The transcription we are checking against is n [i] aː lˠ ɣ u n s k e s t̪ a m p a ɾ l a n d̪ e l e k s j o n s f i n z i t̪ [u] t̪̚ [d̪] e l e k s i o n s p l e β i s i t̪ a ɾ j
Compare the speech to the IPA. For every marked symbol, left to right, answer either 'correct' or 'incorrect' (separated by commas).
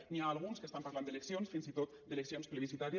correct, incorrect, correct